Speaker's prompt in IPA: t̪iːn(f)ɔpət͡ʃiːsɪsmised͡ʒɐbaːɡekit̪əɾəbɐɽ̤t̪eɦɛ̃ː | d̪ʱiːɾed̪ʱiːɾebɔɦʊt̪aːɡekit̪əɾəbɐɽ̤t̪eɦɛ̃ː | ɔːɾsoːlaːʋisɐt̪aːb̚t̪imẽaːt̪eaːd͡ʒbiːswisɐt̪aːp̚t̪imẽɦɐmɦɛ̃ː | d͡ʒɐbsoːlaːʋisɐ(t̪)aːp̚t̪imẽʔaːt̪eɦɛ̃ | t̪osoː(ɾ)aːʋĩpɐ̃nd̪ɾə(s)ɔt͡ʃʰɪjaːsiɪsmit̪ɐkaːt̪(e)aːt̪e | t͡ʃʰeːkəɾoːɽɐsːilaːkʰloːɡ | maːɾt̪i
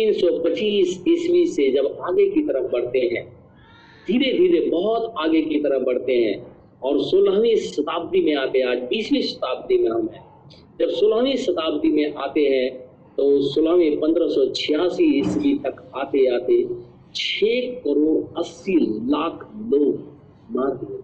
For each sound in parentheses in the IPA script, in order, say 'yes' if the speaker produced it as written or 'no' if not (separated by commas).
no, yes, no, yes, yes